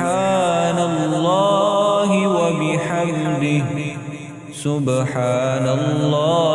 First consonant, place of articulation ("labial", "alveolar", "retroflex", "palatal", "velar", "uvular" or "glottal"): alveolar